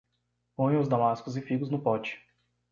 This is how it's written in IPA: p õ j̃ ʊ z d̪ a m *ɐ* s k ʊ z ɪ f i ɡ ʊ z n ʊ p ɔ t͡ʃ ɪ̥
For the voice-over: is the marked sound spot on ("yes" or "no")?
no